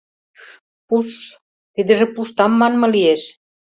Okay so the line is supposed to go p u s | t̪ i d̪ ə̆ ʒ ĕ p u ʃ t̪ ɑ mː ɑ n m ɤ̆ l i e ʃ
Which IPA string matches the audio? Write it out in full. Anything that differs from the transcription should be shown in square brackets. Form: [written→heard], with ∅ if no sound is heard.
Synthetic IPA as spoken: p u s | t̪ i d̪ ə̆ ʒ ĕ p u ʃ t̪ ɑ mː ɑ n m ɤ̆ l i e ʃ